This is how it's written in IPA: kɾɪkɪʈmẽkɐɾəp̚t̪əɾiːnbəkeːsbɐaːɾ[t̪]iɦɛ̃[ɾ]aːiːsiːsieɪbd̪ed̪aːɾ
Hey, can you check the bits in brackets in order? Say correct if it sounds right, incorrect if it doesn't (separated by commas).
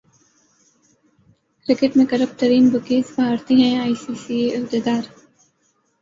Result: correct, incorrect